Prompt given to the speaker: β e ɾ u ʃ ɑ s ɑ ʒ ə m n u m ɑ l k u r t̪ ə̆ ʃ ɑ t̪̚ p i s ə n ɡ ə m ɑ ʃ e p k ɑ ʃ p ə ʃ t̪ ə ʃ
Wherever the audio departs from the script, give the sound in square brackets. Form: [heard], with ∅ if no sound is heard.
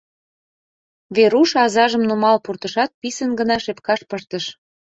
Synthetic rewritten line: β e ɾ u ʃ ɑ [z] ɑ ʒ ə m n u m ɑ l [p] u r t̪ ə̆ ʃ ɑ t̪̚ p i s ə n ɡ ə [n] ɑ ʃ e p k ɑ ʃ p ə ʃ t̪ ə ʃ